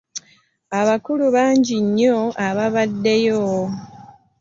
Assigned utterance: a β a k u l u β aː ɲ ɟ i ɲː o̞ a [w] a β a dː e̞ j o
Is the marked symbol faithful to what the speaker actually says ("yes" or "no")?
no